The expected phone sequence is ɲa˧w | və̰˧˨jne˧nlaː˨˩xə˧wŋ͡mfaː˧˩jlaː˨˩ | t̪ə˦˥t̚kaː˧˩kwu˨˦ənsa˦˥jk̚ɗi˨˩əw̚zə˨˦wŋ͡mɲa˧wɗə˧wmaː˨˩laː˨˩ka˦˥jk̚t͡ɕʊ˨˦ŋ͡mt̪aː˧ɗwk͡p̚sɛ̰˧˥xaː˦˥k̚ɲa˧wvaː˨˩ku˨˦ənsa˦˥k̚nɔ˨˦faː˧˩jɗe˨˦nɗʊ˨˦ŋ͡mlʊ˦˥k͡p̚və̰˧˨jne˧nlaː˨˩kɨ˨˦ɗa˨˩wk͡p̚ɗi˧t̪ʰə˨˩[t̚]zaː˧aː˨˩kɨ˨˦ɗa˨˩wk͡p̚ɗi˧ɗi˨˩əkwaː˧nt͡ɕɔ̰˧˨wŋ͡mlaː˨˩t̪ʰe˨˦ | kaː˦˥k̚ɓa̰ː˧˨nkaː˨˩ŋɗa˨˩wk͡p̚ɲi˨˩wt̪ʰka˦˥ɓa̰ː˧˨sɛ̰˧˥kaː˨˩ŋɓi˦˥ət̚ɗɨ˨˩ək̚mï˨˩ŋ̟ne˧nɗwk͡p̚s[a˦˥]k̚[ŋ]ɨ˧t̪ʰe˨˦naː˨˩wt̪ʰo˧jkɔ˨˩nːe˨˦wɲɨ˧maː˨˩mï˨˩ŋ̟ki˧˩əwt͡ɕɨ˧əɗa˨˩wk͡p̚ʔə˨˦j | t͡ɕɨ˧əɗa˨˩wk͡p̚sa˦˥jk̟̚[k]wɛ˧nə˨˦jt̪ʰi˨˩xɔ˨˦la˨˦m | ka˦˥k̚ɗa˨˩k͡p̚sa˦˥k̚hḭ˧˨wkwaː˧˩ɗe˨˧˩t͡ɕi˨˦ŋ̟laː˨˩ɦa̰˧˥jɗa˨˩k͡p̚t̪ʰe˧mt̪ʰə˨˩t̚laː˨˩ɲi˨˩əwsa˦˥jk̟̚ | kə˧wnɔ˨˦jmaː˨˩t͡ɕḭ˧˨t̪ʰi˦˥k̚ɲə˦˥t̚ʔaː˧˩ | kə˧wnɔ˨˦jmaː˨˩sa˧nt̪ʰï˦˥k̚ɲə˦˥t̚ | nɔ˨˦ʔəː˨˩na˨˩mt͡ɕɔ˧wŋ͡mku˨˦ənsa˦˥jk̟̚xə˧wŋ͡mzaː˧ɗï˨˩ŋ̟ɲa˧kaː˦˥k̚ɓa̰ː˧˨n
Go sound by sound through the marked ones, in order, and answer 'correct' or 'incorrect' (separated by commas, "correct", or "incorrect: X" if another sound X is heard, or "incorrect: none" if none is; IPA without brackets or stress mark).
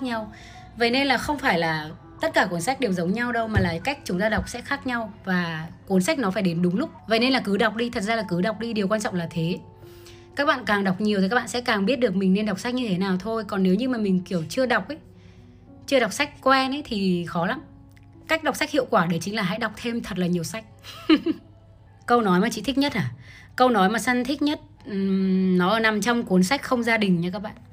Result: correct, correct, incorrect: ɲ, correct